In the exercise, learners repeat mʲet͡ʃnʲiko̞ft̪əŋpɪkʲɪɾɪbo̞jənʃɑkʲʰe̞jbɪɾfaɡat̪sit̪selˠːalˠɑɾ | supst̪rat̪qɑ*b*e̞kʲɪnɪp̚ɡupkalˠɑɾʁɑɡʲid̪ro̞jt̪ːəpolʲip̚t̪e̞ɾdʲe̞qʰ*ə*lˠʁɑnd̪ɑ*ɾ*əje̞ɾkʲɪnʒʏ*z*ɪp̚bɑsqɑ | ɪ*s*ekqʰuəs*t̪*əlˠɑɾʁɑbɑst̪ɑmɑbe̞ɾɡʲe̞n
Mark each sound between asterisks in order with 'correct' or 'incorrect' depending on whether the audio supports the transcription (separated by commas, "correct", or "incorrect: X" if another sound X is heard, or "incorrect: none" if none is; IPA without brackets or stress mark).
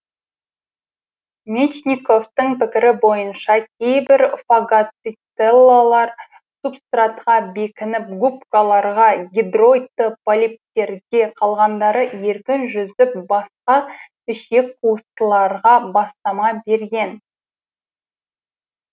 correct, incorrect: ɑ, correct, correct, incorrect: ʃ, correct